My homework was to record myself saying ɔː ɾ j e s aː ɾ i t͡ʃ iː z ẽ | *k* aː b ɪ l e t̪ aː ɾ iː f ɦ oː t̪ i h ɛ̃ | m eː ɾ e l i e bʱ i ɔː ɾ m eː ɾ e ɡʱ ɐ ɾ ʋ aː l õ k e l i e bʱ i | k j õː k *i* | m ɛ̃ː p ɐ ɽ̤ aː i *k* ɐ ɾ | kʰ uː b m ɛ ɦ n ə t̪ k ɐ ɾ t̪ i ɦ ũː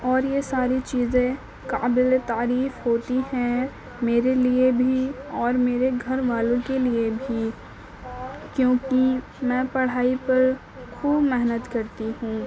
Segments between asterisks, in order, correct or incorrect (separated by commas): correct, correct, incorrect